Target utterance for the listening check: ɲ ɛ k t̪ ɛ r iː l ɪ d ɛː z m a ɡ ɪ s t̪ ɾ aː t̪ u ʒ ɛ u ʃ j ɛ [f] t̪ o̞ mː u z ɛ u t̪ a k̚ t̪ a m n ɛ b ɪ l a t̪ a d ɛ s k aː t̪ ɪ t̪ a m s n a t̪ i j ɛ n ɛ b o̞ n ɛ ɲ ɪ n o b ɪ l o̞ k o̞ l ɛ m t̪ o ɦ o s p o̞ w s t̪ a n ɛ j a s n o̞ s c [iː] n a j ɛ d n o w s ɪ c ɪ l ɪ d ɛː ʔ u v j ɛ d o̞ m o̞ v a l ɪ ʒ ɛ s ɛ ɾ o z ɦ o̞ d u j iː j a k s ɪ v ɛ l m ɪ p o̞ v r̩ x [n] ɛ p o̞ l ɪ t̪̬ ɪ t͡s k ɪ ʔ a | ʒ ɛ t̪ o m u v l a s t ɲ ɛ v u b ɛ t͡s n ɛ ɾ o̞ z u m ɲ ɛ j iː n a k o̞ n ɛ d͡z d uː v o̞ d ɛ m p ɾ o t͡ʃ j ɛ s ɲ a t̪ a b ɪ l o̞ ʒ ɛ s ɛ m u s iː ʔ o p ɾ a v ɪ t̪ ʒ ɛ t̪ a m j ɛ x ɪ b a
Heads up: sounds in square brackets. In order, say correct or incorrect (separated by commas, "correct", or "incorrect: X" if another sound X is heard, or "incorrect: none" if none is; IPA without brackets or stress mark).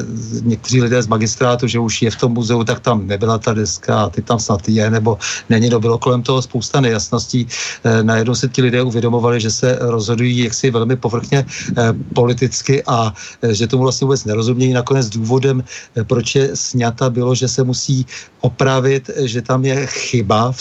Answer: correct, correct, incorrect: ɲ